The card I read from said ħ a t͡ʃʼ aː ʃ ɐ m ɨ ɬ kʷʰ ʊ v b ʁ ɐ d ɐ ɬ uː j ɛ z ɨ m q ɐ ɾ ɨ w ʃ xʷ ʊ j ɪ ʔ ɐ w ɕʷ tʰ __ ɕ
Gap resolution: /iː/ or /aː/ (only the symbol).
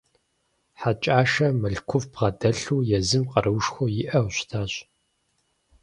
aː